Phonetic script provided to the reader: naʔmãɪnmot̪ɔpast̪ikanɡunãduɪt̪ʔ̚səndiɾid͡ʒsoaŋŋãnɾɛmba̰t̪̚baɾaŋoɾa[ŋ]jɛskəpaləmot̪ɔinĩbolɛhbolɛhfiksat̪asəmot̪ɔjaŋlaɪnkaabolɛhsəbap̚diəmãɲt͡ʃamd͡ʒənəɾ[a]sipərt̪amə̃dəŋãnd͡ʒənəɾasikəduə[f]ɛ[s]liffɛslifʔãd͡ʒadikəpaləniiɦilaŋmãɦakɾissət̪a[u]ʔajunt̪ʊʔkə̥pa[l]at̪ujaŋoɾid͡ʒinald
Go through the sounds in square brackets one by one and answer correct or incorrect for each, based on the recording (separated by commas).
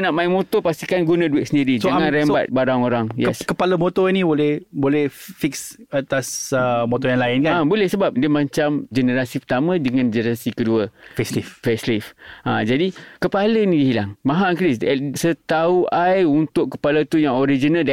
correct, correct, correct, correct, correct, correct